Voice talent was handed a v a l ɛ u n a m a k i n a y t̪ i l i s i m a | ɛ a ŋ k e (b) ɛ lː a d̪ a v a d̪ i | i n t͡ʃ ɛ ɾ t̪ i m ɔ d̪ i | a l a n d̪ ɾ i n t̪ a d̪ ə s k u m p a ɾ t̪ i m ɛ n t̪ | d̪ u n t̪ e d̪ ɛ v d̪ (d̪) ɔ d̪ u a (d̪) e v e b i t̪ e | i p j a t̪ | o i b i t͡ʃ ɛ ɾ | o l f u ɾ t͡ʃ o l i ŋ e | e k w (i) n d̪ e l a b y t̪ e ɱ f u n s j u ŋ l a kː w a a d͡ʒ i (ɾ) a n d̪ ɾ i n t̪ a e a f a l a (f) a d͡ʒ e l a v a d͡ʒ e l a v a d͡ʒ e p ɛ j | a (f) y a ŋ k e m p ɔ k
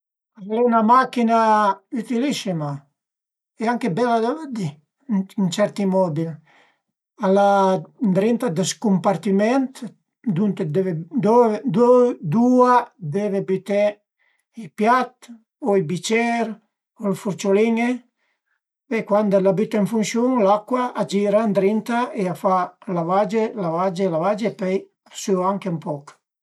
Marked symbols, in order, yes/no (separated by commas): yes, yes, yes, no, yes, no, no